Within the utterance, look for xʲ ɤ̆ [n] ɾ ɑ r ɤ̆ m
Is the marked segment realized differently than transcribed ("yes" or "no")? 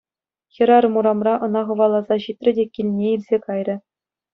yes